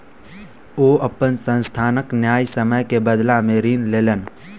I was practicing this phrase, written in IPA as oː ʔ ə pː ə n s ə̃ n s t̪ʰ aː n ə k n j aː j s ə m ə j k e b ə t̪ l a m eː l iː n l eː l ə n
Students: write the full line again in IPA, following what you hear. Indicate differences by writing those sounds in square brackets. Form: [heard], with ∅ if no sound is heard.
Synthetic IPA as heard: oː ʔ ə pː ə n s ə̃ n s t̪ʰ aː n ə k n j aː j s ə m ə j k e b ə [d̪] l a m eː [ɾ] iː n l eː l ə n